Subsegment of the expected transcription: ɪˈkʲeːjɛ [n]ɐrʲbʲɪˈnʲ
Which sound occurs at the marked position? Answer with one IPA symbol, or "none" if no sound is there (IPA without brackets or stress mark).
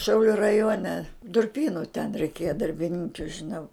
d